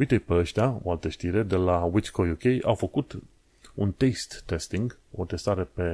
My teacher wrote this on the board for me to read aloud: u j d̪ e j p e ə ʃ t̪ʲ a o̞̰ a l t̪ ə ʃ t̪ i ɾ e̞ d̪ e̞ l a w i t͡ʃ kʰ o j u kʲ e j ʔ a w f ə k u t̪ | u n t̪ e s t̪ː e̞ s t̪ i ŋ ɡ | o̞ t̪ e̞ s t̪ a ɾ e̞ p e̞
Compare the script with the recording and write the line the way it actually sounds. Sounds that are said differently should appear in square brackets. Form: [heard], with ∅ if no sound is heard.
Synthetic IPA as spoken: u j [t̪] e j p e ə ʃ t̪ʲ a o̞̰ a l t̪ ə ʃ t̪ i ɾ e̞ d̪ e̞ l a w i t͡ʃ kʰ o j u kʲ e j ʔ a w f ə k u t̪ | u n t̪ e s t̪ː e̞ s t̪ i ŋ ɡ | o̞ t̪ e̞ s t̪ a ɾ e̞ p e̞